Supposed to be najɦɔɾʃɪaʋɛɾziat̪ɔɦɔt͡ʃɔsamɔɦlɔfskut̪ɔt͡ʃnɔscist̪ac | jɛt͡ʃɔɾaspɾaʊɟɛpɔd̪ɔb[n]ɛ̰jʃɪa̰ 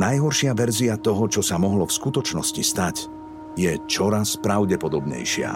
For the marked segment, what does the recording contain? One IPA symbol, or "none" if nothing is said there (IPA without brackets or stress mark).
ɲ